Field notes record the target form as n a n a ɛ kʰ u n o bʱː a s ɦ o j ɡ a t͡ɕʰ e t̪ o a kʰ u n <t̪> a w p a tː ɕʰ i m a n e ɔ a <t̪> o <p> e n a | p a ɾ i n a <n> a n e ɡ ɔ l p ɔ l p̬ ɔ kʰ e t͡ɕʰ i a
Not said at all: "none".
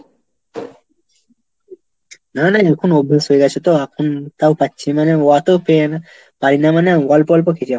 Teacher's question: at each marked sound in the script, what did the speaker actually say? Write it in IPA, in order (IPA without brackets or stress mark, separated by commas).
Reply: t̪, t̪, p, m